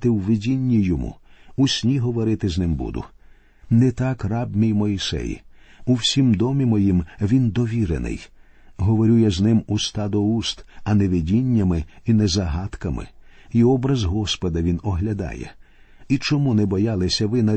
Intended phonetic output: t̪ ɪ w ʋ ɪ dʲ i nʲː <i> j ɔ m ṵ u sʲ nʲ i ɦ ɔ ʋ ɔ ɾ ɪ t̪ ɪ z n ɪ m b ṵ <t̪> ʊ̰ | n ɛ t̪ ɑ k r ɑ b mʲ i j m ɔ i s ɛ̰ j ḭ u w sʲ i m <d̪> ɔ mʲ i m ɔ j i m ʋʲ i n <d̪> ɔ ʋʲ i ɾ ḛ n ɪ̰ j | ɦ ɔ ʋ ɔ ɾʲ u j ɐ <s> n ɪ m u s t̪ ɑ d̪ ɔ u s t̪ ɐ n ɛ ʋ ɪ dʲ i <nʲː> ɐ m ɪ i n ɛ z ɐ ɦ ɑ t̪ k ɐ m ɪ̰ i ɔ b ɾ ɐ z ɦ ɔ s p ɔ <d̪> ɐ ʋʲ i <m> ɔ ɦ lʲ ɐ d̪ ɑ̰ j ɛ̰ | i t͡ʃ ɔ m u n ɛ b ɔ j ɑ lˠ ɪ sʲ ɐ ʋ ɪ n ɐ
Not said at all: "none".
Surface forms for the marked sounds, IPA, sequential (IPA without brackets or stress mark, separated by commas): i, d̪, d̪, d̪, z, nʲː, d̪, n